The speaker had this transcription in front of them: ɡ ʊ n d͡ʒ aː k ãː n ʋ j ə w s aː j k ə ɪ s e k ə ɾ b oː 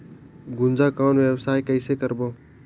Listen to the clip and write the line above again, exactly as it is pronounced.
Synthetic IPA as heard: ɡ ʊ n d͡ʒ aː k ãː n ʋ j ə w s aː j k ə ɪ s e k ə ɾ b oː